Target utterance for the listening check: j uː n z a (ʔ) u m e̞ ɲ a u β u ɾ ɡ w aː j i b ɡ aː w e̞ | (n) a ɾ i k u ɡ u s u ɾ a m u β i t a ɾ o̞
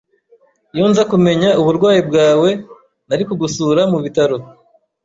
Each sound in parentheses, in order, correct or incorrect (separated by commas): incorrect, correct